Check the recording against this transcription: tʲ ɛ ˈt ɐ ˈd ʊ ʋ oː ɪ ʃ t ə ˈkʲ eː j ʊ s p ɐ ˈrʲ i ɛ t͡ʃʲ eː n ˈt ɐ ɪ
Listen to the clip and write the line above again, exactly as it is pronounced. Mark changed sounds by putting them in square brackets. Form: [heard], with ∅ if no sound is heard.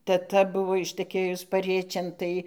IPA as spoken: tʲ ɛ ˈt ɐ [ˈb] ʊ ʋ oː ɪ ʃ t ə ˈkʲ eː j ʊ s p ɐ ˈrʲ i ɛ t͡ʃʲ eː n ˈt ɐ ɪ